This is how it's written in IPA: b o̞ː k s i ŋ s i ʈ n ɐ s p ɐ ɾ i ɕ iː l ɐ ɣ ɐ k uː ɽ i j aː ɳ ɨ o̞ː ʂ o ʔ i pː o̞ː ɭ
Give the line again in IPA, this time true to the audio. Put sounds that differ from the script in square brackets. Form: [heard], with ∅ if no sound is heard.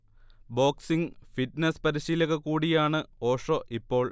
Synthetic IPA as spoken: b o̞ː k s i ŋ [f] i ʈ n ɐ s p ɐ ɾ i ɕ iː l ɐ ɣ ɐ k uː ɽ i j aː ɳ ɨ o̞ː ʂ o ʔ i pː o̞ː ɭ